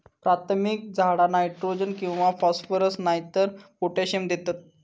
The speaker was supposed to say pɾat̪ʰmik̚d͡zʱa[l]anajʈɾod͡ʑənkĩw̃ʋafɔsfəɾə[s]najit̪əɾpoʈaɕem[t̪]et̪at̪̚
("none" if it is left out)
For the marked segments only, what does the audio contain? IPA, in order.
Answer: ɽ, s, d̪

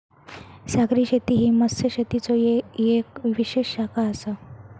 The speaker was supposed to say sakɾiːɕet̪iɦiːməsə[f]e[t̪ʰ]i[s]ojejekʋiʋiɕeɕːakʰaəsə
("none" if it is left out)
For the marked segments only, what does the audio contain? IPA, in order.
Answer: ɕ, t̪, t͡s

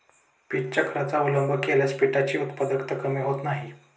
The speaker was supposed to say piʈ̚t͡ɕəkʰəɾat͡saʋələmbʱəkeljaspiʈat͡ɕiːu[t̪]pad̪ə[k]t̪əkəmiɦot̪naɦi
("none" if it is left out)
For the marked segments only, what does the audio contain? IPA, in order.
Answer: t̪, k

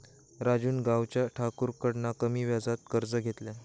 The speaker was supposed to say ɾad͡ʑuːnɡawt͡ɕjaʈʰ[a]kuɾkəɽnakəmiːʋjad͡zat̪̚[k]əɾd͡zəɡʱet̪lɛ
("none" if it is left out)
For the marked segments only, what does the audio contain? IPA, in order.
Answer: a, k

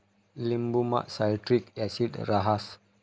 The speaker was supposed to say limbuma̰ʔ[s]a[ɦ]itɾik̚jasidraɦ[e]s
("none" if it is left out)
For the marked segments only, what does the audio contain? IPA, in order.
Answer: s, none, a

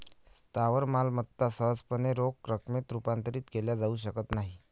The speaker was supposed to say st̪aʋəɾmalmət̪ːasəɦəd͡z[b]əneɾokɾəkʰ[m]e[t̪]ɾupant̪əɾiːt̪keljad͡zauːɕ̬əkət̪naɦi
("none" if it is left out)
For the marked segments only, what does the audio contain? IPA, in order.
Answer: p, m, t̪

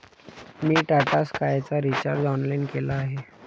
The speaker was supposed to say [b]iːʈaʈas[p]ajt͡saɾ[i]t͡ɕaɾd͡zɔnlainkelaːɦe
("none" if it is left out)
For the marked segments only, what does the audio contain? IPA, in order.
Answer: m, k, i

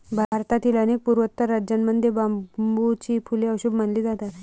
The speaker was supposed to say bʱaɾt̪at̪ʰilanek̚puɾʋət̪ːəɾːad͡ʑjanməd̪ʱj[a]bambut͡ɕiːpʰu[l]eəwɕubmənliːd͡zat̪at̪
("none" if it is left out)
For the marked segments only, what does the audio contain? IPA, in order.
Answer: e, l

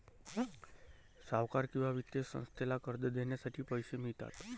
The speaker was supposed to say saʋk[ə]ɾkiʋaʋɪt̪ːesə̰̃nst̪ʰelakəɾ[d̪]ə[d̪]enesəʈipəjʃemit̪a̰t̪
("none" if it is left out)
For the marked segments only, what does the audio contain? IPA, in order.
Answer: a, d̪, d̪

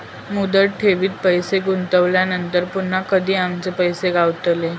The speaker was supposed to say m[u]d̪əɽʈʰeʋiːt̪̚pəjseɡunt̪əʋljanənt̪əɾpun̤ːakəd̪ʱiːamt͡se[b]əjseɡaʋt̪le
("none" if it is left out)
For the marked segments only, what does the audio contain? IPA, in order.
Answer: u, p

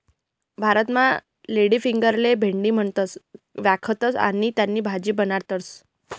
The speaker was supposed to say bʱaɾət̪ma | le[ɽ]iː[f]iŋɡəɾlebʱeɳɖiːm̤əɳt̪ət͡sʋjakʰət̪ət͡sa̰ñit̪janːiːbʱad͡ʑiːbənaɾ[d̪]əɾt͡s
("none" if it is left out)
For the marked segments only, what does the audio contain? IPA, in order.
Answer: ɽ, f, t̪

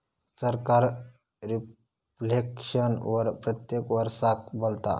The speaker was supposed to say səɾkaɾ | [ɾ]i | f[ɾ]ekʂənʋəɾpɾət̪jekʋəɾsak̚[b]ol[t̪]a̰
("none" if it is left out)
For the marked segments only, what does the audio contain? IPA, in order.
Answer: ɾ, l, b, t̪

